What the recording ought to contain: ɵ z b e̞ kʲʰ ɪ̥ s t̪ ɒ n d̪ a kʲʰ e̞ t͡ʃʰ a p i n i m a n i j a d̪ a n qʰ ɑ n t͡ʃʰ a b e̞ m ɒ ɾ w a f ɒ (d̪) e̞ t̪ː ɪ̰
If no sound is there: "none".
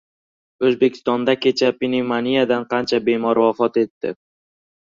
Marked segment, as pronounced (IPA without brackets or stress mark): t̪